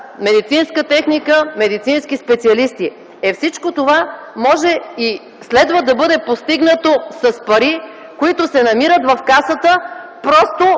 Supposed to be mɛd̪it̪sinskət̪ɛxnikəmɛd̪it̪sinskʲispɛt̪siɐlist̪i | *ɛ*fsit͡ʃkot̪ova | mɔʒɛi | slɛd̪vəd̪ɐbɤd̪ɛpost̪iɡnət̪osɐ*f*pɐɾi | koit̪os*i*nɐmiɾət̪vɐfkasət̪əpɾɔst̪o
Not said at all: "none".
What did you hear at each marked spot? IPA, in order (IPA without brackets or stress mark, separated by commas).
ɛ, s, ɛ